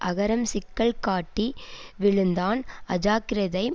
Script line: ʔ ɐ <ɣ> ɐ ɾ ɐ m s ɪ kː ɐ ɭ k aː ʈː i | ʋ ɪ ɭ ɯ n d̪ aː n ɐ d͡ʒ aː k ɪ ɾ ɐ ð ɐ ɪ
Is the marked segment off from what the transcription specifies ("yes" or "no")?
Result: no